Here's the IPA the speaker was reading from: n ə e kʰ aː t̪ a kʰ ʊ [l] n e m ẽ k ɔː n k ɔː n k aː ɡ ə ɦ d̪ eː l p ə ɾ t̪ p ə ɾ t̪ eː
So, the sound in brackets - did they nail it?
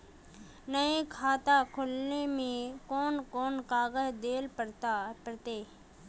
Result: yes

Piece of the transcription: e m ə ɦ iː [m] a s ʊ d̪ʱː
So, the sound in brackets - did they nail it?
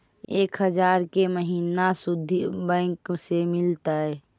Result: no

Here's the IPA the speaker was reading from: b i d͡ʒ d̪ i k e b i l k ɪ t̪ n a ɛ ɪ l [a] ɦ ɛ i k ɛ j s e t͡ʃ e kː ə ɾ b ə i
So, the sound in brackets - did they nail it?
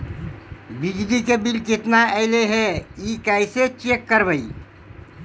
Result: no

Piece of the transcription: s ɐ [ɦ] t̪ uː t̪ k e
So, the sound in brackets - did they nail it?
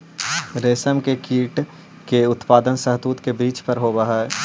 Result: yes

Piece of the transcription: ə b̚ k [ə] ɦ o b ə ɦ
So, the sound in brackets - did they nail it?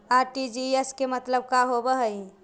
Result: no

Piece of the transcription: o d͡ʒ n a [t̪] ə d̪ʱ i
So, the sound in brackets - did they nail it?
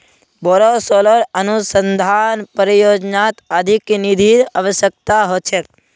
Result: yes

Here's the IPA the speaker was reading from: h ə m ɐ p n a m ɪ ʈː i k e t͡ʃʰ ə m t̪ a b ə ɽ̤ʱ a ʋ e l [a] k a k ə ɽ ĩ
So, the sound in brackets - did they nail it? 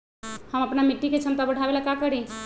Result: yes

